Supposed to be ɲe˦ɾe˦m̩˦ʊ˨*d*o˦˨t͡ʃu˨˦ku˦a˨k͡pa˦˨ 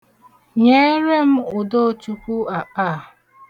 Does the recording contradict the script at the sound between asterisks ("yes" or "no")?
no